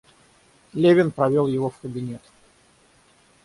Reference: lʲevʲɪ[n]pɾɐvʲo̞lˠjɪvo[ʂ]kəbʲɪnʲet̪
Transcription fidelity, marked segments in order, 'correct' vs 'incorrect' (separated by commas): correct, incorrect